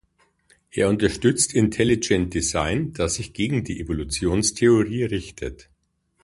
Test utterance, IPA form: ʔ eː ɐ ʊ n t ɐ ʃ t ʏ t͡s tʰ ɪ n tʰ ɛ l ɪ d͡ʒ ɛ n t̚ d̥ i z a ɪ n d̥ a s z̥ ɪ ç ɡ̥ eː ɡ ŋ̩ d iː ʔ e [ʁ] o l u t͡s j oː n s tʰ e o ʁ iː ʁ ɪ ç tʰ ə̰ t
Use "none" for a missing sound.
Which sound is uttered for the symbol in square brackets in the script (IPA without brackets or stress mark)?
v